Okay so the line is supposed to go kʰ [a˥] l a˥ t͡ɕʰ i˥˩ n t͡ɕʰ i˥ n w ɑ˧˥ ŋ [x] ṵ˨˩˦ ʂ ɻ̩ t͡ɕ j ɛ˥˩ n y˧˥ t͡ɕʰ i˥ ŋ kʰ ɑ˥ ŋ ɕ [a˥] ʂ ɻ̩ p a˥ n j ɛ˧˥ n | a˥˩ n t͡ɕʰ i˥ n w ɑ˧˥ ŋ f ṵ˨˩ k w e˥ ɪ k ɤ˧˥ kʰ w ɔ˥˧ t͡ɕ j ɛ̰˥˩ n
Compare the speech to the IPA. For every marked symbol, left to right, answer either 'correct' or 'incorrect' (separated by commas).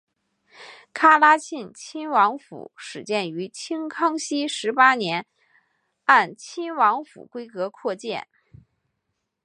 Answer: correct, incorrect, incorrect